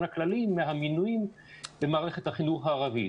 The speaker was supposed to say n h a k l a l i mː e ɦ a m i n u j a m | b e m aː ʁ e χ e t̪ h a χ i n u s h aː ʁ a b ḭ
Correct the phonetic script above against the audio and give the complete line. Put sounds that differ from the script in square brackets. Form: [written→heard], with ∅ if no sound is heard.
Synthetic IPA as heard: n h a k l a l i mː e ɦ a m i n u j [a→i] m | b e m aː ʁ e χ e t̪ h a χ i n u [s→χ] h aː ʁ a [b→v] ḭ